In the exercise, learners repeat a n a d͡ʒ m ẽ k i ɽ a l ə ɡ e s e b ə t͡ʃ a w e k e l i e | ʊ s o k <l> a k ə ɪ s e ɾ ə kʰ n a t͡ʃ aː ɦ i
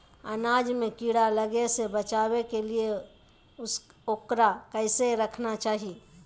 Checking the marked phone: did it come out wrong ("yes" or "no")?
yes